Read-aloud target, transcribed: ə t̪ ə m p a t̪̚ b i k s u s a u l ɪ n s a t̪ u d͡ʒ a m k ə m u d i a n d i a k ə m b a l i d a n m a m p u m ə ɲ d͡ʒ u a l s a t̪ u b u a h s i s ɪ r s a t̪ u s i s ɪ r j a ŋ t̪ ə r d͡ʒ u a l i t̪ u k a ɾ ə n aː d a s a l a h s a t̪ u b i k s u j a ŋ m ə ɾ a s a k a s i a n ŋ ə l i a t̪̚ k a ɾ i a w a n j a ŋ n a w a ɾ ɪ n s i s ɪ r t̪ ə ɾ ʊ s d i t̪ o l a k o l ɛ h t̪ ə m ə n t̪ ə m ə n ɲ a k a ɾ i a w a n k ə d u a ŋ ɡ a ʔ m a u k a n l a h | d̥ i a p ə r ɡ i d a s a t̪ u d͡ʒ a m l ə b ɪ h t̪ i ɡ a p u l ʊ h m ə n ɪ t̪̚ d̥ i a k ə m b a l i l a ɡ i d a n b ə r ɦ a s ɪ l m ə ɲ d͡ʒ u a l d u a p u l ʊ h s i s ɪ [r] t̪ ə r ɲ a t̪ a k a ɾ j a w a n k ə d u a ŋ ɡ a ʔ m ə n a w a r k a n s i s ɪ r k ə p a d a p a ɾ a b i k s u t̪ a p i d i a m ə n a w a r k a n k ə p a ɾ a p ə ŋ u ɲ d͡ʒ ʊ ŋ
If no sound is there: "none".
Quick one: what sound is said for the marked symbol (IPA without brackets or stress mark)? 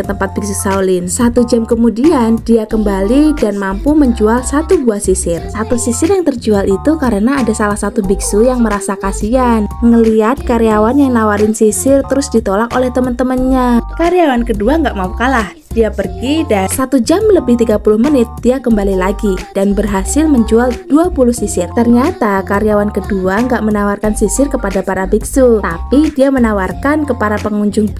r